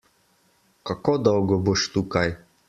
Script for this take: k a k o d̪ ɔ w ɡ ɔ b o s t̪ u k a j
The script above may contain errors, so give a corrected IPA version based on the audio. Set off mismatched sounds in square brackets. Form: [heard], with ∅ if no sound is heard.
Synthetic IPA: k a k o d̪ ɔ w ɡ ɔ b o [ʃ] t̪ u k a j